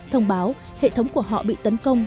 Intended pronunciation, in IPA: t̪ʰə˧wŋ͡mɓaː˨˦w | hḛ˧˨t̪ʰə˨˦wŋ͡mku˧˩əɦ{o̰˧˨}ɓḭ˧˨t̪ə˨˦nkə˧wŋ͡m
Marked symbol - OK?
no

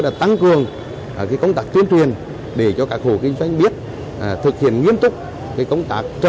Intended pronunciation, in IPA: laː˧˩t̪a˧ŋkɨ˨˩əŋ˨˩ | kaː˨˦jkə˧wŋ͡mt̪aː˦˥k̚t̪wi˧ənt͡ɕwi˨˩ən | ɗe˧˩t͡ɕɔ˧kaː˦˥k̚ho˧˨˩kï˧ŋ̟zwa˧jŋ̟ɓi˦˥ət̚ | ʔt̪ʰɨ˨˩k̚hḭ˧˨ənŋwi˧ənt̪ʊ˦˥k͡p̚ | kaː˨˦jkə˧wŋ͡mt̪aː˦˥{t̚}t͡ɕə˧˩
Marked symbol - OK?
no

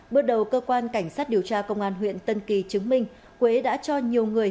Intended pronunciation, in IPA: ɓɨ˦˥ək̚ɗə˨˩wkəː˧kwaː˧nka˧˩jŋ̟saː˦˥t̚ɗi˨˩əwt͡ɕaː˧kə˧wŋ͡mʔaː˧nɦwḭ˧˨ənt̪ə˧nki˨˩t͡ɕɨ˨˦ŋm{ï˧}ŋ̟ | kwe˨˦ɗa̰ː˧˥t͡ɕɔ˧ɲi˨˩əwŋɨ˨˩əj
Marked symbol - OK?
yes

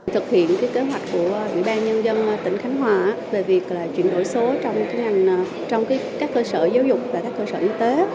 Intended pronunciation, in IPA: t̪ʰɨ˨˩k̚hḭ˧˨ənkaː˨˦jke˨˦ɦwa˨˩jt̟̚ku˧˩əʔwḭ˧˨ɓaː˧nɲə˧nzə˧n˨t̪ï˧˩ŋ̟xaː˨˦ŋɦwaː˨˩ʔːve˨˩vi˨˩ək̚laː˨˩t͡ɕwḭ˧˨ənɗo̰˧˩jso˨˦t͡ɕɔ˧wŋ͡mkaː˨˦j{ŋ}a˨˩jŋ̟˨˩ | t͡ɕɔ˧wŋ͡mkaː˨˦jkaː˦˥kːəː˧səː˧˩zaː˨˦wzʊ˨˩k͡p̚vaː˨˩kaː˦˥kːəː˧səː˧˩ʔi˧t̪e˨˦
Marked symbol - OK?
yes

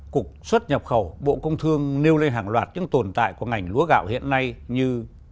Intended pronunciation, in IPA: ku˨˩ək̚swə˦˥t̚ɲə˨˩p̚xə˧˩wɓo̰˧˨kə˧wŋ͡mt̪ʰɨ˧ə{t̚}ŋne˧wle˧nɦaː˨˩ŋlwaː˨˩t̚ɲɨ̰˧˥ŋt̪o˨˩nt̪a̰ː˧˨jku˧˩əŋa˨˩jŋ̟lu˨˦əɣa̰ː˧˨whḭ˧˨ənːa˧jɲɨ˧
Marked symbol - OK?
no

